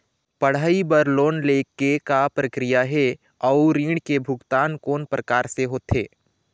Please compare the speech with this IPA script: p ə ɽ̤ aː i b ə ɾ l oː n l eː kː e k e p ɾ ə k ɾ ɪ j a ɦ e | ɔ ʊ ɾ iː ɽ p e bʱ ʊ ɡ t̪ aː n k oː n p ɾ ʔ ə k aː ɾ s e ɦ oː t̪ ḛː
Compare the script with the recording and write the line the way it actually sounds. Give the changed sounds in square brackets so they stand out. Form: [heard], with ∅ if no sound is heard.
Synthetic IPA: p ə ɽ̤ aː i b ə ɾ l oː n l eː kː e k [a] p ɾ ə k ɾ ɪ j a ɦ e | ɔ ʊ ɾ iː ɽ [k] e bʱ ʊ ɡ t̪ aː n k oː n p ɾ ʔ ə k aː ɾ s e ɦ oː t̪ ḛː

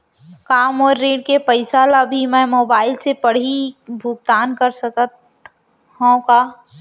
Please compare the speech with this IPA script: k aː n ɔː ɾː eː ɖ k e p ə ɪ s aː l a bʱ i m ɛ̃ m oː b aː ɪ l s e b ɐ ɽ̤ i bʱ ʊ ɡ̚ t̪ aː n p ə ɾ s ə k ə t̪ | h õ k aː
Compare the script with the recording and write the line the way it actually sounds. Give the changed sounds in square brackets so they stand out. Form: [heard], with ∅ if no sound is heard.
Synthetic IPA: k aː [m] ɔː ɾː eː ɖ k e p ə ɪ s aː l a bʱ i m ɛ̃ m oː b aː ɪ l s e [p] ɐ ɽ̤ i bʱ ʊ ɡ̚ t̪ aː n [k] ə ɾ s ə k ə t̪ | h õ k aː

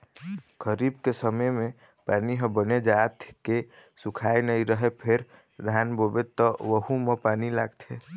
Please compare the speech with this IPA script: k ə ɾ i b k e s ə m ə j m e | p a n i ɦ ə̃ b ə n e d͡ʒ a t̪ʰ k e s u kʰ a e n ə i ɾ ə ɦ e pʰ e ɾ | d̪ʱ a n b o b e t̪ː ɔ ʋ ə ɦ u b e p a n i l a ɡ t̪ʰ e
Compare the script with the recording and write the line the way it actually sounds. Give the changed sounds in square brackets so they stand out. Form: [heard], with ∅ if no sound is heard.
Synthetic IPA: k ə ɾ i b k e s ə m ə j m e | p a n i ɦ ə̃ b ə n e d͡ʒ a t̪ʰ k e s u kʰ a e n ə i ɾ ə ɦ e pʰ e ɾ | d̪ʱ a n b o b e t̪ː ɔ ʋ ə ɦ u [m] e p a n i l a ɡ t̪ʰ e

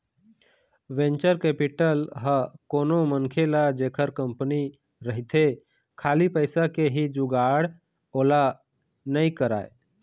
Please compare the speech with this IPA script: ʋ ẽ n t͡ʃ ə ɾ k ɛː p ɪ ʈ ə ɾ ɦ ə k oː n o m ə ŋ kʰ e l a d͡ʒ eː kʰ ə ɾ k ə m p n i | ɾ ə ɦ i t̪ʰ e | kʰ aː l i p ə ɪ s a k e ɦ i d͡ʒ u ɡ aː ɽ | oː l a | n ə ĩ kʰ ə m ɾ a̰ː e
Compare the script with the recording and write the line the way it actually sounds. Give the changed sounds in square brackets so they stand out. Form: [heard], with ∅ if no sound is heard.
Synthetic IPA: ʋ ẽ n t͡ʃ ə ɾ k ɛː p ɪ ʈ ə [l] ɦ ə k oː n o m ə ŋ kʰ e l a d͡ʒ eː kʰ ə ɾ k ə m p n i | ɾ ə ɦ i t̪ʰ e | kʰ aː l i p ə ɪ s a k e ɦ i d͡ʒ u ɡ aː ɽ | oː l a | n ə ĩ [k] ə [∅] ɾ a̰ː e

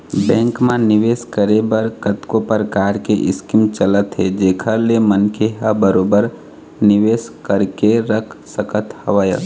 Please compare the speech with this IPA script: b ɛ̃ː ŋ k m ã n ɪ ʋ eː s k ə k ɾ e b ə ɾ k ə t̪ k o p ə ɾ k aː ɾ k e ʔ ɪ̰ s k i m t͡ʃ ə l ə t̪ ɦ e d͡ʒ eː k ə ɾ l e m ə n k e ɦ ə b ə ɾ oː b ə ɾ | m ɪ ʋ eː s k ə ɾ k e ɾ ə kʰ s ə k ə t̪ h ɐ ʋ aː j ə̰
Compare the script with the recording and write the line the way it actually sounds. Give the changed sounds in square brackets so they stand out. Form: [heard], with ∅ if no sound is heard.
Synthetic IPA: b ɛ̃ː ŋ k m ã n ɪ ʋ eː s k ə [∅] ɾ e b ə ɾ k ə t̪ k o p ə ɾ k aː ɾ k e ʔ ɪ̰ s k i m t͡ʃ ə l ə t̪ ɦ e d͡ʒ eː [kʰ] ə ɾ l e m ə n k e ɦ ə b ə ɾ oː b ə ɾ | [n] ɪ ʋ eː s k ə ɾ k e ɾ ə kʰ s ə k ə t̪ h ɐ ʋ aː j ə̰

